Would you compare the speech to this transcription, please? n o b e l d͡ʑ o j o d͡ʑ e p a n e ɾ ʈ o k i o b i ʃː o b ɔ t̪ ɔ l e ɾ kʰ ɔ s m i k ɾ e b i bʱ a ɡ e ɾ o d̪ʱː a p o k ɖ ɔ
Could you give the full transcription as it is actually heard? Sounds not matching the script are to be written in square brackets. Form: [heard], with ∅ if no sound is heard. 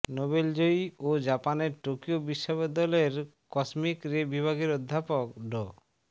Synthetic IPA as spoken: n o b e l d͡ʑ o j o d͡ʑ [a] p a n e ɾ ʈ o k i o b i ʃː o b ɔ [d̪] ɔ l e ɾ [k] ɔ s m i k ɾ e b i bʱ a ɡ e ɾ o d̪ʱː a p o k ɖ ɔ